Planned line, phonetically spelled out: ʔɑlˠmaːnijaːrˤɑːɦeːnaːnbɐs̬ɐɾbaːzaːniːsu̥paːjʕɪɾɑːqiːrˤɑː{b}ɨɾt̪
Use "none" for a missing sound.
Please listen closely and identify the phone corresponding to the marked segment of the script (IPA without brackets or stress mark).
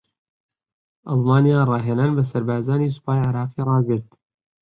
ɡ